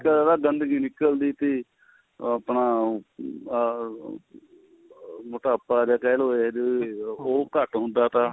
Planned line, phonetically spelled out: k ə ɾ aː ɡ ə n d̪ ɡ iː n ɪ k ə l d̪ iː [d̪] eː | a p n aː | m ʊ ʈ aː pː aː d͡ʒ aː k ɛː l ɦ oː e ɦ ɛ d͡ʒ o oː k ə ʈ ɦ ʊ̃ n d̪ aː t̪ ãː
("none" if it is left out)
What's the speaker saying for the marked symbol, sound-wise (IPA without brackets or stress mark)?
t̪